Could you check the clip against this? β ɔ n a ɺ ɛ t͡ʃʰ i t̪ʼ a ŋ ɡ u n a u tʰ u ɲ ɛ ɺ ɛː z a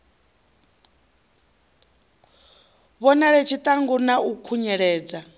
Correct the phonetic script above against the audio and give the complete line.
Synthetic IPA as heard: β ɔ n a ɺ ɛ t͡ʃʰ i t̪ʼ a ŋ ɡ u n a u kʰ u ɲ ɛ ɺ ɛː d͡z a